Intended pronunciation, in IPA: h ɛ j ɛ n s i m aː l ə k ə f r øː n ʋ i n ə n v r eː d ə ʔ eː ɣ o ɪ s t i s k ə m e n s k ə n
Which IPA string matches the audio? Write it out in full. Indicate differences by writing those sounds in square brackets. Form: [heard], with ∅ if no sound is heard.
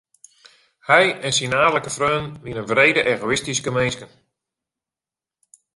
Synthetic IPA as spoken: h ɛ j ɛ n s i [n] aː l ə k ə f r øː n ʋ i n ə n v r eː d ə ʔ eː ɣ o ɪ s t i s k ə m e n s k ə n